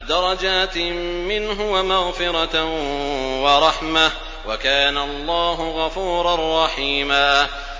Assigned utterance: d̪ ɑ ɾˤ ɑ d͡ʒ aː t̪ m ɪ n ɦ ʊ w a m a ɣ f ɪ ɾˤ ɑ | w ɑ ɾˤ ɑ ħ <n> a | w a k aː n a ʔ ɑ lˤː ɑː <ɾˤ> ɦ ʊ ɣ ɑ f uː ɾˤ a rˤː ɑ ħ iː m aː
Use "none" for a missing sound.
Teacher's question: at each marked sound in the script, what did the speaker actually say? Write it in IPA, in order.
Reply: m, none

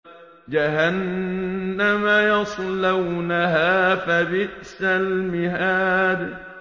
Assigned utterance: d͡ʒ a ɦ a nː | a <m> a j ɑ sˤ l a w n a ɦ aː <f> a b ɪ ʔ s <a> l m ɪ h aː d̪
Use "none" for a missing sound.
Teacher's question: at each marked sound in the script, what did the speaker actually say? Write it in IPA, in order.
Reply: m, f, a

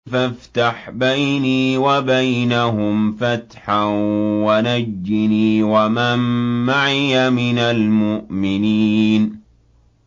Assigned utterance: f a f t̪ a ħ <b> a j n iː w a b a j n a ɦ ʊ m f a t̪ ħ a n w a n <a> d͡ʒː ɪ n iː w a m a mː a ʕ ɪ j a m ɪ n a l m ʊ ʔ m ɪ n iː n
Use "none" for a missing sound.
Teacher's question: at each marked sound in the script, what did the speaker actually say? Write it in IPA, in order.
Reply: b, a

